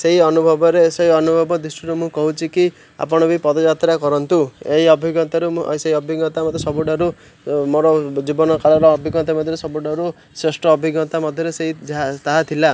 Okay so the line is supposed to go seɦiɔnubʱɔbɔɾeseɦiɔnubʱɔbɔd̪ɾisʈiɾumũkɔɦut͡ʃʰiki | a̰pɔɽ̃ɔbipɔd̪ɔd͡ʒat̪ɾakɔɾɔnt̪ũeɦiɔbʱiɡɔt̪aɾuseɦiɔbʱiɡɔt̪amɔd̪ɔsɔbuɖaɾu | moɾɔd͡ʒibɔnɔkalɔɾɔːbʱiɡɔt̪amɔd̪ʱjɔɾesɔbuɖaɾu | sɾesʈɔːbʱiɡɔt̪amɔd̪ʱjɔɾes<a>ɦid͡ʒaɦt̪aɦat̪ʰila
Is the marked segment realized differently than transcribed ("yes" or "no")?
yes